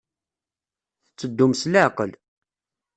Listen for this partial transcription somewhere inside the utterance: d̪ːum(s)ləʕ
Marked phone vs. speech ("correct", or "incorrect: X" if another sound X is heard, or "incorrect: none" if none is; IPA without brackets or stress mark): correct